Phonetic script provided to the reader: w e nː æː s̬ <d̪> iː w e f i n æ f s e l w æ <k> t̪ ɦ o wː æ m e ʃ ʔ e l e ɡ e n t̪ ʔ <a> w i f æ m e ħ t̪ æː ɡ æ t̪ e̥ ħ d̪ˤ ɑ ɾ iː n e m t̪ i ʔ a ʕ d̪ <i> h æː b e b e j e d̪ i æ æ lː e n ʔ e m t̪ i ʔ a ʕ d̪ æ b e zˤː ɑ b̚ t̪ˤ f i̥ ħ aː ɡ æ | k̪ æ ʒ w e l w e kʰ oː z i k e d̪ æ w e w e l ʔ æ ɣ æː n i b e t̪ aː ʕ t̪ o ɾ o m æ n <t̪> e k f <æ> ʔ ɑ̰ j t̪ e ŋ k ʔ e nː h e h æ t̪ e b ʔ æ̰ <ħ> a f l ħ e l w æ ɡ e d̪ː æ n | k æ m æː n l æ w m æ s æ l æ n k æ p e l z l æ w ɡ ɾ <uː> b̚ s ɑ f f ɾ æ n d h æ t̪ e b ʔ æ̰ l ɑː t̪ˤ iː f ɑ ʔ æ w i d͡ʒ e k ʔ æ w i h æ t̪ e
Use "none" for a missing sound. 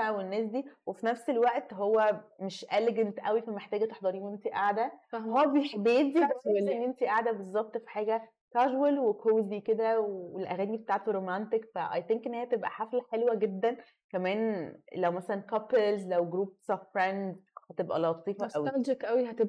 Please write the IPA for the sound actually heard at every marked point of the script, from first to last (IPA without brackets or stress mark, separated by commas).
d̪, ʔ, æ, æ, t̪, æ, ħ, uː